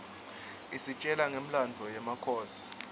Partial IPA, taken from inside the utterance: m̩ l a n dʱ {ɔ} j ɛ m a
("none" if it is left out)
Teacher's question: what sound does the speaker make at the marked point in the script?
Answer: ɔ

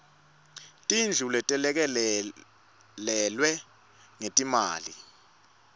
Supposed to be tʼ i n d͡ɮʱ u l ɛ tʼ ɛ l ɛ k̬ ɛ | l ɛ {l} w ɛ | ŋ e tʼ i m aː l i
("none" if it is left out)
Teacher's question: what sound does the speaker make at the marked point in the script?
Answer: l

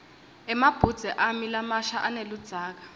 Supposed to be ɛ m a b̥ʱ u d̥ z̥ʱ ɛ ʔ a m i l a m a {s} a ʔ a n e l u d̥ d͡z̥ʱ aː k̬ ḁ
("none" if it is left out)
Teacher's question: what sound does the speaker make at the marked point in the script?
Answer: ʃ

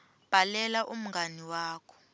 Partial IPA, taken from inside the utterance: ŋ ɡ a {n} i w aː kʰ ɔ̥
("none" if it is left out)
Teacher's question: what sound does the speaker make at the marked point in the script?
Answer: n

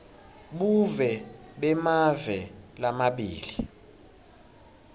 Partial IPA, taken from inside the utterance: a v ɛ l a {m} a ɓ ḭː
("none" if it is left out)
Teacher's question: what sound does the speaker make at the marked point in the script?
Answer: m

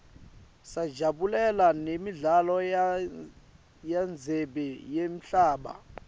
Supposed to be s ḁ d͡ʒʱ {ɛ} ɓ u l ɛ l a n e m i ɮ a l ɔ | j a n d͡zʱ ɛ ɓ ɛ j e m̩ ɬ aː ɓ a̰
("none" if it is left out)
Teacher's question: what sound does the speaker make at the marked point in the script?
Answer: a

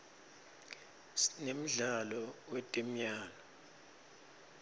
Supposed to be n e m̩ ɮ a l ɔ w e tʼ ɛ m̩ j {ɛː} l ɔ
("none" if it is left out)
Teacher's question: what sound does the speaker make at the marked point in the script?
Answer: aː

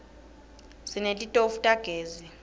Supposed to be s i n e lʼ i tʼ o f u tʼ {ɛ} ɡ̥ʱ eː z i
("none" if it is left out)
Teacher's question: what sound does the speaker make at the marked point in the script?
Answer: a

